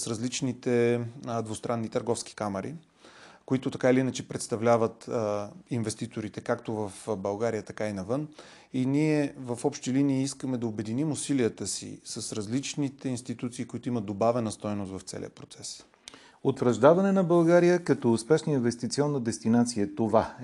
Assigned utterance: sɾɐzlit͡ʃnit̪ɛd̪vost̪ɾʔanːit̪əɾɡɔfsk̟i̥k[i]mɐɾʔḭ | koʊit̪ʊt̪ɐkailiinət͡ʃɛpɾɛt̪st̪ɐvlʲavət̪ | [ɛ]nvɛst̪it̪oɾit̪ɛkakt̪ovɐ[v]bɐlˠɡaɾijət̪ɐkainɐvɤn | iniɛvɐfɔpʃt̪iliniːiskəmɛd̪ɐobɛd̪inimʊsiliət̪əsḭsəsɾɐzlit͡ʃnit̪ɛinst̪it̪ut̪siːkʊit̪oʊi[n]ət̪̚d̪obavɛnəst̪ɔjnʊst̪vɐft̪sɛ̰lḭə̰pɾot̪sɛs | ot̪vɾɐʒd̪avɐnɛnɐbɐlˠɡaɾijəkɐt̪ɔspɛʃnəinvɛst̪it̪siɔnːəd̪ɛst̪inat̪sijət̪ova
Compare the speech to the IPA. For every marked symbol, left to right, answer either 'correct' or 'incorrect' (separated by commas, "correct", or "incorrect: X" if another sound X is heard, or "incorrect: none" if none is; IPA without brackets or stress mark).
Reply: incorrect: a, incorrect: i, incorrect: f, incorrect: m